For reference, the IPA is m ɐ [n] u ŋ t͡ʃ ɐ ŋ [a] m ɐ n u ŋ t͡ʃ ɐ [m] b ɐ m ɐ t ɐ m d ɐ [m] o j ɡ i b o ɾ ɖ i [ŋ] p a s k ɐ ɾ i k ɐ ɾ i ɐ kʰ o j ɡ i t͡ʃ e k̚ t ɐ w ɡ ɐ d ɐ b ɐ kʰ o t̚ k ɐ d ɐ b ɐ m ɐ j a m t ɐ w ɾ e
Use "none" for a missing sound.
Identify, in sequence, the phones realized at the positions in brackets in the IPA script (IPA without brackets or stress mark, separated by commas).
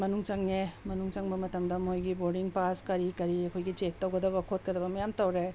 n, e, ŋ, m, ŋ